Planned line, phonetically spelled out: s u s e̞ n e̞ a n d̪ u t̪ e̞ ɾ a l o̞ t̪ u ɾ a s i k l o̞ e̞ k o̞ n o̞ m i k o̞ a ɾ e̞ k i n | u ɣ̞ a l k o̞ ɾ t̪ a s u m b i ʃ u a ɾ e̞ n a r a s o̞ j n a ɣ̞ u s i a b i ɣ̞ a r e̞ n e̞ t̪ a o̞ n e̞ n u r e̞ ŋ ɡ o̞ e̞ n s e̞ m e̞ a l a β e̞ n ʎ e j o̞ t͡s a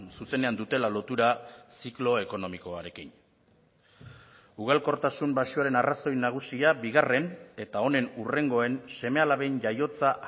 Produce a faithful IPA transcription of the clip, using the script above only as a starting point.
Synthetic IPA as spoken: s u s e̞ n e̞ a n d̪ u t̪ e̞ l a l o̞ t̪ u ɾ a s i k l o̞ e̞ k o̞ n o̞ m i k o̞ a ɾ e̞ k i n | u ɣ̞ a l k o̞ ɾ t̪ a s u m b a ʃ u a ɾ e̞ n a r a s o̞ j n a ɣ̞ u s i a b i ɣ̞ a r e̞ n e̞ t̪ a o̞ n e̞ n u r e̞ ŋ ɡ o̞ e̞ n s e̞ m e̞ a l a β e̞ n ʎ a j o̞ t͡s a